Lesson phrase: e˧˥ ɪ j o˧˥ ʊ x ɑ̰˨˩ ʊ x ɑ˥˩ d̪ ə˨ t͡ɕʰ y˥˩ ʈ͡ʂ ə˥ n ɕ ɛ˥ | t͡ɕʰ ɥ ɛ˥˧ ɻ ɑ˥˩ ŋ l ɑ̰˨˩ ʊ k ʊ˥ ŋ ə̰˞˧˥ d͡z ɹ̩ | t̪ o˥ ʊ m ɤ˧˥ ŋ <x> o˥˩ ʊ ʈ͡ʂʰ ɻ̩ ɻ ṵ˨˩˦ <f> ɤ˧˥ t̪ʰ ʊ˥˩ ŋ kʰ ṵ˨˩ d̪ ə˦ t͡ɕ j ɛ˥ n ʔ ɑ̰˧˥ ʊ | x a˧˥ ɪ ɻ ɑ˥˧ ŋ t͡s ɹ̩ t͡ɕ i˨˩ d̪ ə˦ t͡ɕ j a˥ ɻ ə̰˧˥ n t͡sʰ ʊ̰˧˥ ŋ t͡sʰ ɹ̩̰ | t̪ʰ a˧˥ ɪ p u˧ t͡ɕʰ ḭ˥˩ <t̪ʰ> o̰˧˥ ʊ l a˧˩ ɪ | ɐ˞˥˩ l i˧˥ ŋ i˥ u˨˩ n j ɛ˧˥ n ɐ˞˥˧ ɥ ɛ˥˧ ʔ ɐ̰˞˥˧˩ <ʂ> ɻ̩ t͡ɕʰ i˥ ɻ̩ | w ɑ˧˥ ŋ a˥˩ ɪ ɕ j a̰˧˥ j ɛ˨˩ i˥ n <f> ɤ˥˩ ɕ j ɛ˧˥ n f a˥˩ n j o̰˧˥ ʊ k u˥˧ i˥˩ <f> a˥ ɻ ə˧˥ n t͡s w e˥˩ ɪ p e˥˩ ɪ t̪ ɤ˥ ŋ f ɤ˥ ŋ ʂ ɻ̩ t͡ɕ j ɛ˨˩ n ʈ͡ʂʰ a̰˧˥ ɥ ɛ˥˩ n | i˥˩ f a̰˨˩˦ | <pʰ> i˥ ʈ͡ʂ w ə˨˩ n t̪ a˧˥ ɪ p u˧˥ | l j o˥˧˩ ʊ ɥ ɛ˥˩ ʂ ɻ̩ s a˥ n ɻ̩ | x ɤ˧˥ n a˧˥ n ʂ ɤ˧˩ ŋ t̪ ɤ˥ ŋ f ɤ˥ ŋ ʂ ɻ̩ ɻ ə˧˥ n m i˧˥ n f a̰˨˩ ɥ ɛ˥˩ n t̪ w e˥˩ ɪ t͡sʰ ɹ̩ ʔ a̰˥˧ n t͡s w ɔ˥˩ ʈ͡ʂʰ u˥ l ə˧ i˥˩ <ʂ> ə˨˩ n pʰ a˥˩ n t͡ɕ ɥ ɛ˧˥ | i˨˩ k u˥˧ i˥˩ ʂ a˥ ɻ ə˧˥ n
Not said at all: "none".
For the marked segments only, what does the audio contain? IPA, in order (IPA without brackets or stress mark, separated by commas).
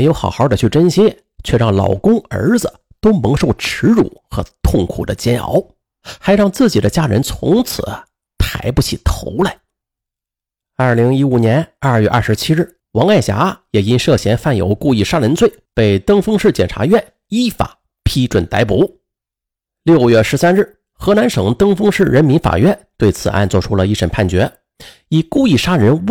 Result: ʂ, x, t̪ʰ, ʂ, ʂ, ʂ, pʰ, ʂ